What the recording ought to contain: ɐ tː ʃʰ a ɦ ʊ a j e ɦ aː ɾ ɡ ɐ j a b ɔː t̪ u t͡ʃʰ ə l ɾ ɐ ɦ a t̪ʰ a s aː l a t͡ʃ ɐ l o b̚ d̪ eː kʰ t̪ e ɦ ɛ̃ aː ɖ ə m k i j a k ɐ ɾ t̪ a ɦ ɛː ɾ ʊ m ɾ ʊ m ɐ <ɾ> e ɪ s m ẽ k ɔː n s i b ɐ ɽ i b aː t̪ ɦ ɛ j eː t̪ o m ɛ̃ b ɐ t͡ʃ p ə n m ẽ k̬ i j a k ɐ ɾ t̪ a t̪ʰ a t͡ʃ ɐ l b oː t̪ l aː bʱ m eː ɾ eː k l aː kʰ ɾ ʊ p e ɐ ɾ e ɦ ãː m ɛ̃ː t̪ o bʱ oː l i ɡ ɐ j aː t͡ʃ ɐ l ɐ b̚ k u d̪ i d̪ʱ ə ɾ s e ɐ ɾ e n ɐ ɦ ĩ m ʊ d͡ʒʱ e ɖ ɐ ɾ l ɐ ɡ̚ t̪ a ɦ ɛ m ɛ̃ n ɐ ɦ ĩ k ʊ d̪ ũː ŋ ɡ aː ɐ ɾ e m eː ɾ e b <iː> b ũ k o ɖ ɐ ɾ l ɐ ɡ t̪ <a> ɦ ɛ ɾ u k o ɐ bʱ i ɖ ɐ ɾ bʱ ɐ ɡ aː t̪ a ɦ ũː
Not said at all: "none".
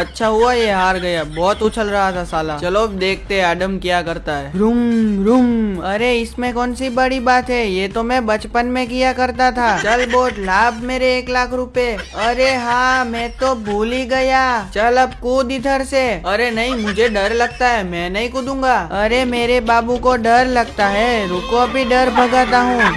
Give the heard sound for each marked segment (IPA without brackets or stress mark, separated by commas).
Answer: ɾ, aː, a